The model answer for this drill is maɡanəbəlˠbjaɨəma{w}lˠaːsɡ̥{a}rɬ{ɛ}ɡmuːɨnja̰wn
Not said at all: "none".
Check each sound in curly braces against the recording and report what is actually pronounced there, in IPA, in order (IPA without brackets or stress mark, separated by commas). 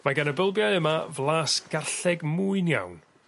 v, a, ɛ